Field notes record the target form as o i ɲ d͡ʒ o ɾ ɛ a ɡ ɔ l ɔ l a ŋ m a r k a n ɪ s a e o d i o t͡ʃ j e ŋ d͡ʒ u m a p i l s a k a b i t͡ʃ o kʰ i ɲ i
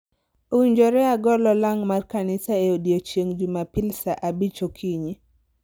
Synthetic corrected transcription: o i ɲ d͡ʒ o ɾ ɛ a ɡ ɔ l ɔ l a ŋ m a r k a n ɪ s a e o d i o t͡ʃ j e ŋ d͡ʒ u m a p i l s a ʔ a b i t͡ʃ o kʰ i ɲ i